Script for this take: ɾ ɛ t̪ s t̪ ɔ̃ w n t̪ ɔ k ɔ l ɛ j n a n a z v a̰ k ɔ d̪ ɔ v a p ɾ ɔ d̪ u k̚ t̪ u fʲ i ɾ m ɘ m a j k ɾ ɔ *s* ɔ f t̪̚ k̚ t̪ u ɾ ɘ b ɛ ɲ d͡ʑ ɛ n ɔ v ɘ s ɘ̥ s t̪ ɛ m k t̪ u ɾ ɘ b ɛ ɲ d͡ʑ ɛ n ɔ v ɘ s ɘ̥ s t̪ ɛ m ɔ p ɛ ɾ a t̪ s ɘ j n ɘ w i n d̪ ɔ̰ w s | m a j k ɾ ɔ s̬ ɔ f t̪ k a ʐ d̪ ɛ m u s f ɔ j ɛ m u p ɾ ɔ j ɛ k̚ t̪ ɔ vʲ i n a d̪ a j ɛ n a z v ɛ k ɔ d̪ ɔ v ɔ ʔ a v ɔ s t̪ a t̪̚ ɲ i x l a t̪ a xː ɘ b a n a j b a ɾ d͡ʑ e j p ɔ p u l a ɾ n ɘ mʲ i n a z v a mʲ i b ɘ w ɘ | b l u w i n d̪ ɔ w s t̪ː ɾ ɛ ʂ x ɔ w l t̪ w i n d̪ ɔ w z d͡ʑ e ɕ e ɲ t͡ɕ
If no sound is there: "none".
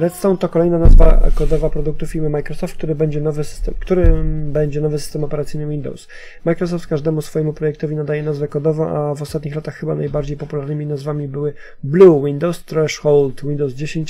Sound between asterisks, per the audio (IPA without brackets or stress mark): s